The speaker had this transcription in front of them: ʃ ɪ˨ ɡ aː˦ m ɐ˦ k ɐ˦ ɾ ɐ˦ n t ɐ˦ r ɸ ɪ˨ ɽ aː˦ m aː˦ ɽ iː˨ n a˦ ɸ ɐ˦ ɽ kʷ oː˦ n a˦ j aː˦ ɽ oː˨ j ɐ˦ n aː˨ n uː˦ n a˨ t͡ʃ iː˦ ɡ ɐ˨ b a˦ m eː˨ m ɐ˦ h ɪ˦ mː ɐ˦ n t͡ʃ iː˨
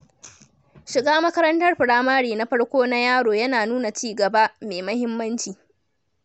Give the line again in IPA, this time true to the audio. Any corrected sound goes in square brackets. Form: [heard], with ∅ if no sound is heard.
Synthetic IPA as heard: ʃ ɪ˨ ɡ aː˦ m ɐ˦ k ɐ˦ ɾ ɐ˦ n t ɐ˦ r ɸ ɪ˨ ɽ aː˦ m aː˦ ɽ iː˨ n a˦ ɸ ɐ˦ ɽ kʷ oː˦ n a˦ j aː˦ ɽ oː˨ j ɐ˦ n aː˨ n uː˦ n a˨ t͡ʃ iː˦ ɡ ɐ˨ b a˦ m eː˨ m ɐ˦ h ɪ˦ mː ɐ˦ n t͡ʃ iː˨